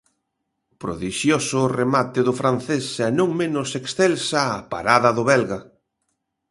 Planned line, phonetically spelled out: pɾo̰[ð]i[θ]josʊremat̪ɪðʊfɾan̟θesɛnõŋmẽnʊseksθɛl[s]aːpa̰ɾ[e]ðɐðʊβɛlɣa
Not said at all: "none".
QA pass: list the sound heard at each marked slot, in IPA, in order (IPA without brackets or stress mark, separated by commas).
ð, ʃ, s, a